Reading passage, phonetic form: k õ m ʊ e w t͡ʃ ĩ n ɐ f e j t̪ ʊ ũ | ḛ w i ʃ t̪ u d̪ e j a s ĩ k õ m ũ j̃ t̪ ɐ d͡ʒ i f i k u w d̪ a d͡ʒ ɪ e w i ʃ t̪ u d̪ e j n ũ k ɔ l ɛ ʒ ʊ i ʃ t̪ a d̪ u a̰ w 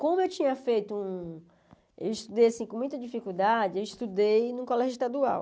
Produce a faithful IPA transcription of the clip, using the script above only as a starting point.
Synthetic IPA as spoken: k õ m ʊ e w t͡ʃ ĩ ɲ ɐ f e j t̪ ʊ ũ | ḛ w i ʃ t̪ u d̪ e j a s ĩ k õ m ũ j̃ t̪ ɐ d͡ʒ i f i k u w d̪ a d͡ʒ ɪ e w i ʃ t̪ u d̪ e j n ũ k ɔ l ɛ ʒ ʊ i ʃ t̪ a d̪ u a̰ w